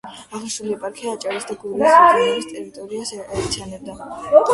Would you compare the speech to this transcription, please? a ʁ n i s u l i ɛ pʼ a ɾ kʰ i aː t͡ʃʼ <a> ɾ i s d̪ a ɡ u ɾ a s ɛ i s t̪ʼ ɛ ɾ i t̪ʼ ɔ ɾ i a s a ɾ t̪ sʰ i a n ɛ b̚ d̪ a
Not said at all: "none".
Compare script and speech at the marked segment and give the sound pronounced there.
a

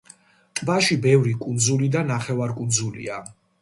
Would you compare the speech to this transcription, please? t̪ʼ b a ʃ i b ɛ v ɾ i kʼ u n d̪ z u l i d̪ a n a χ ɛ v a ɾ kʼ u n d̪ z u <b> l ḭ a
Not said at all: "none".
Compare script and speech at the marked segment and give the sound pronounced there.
none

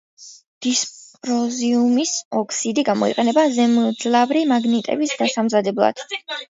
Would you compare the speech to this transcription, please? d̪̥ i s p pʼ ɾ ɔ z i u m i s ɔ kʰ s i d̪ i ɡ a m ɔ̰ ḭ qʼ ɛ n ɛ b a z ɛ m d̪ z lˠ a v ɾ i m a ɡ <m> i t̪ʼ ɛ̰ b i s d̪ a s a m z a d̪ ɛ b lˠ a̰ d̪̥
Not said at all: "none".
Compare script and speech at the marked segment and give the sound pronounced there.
n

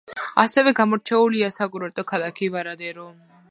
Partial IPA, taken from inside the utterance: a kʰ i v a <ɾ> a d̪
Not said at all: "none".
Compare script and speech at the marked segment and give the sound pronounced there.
ɾ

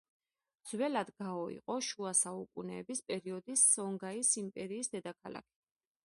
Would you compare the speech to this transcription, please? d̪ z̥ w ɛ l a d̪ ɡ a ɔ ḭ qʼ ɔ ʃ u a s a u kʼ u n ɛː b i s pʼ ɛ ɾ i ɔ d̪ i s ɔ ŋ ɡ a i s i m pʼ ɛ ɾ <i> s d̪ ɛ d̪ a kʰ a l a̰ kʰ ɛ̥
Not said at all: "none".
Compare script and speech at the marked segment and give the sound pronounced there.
iː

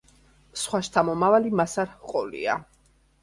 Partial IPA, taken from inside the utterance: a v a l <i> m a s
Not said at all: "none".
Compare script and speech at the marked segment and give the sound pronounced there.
i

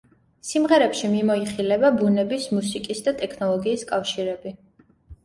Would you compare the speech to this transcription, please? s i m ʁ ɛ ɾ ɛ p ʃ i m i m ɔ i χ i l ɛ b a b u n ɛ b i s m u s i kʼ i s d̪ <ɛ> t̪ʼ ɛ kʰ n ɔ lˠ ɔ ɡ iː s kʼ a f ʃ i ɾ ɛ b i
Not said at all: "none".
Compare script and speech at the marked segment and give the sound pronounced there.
a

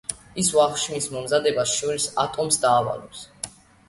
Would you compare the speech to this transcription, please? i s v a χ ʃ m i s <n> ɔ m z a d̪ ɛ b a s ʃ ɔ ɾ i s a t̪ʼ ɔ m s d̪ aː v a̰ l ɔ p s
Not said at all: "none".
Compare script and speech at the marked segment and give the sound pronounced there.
m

